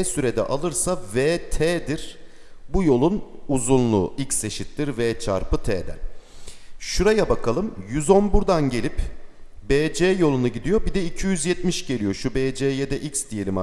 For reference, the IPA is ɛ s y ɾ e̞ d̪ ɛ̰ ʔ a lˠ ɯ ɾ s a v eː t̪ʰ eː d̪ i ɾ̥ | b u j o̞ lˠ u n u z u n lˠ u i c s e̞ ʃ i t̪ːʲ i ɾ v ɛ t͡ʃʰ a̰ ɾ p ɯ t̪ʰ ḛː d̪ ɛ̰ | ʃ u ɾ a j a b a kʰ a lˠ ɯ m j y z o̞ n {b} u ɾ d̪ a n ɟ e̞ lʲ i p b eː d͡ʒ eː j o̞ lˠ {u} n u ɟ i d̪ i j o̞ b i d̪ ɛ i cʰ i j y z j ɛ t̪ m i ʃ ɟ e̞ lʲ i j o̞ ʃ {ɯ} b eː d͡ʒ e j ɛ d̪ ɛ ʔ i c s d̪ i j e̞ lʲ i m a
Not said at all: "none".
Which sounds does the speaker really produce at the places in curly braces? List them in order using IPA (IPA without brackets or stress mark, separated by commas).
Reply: b, u, u